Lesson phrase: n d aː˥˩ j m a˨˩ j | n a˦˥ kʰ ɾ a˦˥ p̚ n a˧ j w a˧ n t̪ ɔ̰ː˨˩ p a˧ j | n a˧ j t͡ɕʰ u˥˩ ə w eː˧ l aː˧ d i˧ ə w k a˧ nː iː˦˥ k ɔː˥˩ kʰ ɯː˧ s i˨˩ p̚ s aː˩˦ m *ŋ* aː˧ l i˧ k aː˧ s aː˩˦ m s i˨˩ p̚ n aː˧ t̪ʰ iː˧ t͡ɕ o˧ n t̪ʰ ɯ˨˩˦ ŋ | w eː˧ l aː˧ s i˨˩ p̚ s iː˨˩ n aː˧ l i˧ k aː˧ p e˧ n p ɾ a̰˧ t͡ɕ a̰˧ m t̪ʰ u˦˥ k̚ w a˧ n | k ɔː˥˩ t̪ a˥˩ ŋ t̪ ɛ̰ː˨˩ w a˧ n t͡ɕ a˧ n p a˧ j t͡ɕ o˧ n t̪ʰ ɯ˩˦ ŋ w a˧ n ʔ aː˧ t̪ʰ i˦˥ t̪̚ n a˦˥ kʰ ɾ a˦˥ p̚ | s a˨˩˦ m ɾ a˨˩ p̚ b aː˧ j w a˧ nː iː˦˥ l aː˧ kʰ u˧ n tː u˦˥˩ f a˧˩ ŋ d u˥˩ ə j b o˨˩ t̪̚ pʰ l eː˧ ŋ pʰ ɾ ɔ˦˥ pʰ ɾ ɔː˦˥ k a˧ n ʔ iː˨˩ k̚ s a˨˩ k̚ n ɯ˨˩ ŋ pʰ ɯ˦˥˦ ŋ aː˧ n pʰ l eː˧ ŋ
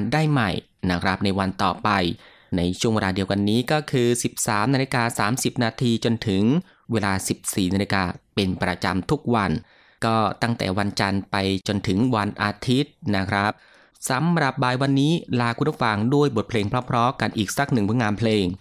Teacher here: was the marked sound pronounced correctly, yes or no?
no